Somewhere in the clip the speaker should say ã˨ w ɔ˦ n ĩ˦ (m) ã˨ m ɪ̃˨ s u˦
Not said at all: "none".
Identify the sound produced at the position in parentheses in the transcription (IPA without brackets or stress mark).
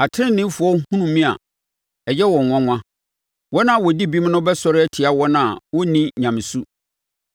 ɲ